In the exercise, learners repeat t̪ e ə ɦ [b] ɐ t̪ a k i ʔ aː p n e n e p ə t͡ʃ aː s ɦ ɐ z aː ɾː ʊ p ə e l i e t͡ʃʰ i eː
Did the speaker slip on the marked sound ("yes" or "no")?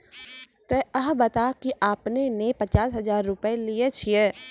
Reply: no